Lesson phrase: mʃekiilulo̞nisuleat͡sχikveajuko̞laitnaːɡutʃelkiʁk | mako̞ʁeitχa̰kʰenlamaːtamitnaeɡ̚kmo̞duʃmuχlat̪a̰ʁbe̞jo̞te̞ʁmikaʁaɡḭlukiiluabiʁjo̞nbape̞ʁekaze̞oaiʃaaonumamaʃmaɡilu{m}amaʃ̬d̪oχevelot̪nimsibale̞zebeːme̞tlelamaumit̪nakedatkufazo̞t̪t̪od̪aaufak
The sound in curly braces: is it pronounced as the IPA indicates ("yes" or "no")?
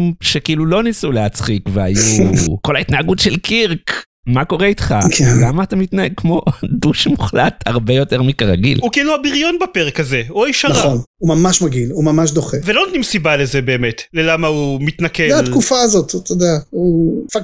yes